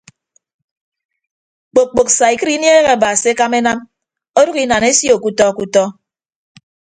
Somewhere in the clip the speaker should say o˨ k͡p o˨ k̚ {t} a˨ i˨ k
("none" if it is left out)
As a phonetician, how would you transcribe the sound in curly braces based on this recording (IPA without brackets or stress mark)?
s